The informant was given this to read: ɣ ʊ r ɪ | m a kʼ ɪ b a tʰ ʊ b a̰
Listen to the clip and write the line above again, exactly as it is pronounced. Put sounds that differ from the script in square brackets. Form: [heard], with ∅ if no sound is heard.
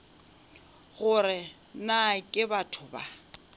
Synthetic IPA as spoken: ɣ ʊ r ɪ | [n] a kʼ ɪ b a tʰ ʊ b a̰